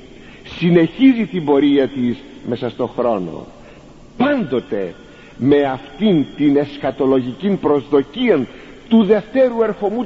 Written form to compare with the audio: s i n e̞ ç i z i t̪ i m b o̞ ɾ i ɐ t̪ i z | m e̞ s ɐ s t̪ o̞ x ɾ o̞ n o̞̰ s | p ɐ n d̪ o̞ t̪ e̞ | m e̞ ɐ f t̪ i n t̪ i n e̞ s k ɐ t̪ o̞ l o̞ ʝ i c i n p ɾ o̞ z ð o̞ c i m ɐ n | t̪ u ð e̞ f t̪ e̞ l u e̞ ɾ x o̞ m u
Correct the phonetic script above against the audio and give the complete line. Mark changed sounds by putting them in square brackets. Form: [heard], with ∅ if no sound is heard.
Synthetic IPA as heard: s i n e̞ ç i z i t̪ i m b o̞ ɾ i ɐ t̪ i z | m e̞ s ɐ s t̪ o̞ x ɾ o̞ n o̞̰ [∅] | p ɐ n d̪ o̞ t̪ e̞ | m e̞ ɐ f t̪ i n t̪ i n e̞ s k ɐ t̪ o̞ l o̞ ʝ i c i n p ɾ o̞ z ð o̞ c i [∅] ɐ n | t̪ u ð e̞ f t̪ e̞ [ɾ] u e̞ ɾ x o̞ m u